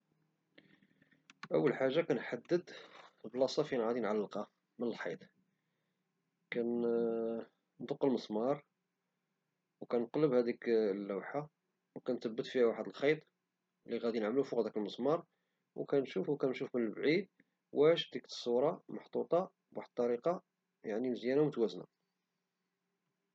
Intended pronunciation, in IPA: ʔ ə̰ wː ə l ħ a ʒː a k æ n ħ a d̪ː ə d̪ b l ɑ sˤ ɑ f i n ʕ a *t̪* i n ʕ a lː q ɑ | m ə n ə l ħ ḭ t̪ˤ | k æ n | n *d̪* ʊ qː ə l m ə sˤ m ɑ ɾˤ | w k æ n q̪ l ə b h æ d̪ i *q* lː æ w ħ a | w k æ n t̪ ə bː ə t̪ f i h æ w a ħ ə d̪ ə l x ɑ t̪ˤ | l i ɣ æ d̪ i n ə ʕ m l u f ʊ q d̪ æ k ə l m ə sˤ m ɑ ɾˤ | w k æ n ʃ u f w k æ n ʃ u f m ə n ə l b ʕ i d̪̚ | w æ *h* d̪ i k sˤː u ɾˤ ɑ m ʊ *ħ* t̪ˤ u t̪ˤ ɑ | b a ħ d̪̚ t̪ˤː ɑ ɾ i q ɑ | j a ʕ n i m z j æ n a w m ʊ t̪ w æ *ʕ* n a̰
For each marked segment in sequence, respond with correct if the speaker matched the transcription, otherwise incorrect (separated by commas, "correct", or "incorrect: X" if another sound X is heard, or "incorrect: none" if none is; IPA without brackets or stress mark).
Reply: incorrect: d̪, correct, incorrect: k, incorrect: ʃ, correct, incorrect: z